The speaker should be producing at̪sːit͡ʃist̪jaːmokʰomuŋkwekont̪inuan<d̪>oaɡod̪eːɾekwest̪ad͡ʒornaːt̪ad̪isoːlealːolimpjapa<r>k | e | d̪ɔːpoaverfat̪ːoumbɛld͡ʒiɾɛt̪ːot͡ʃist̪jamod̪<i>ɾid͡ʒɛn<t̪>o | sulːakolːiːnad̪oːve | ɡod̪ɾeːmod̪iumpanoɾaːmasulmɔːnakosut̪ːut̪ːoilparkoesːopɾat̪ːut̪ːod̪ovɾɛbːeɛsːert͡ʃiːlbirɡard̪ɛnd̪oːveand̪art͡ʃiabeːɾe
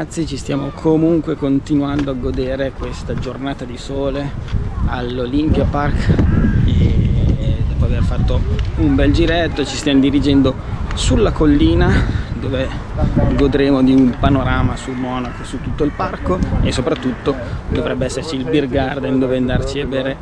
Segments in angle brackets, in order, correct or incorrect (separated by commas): correct, correct, correct, incorrect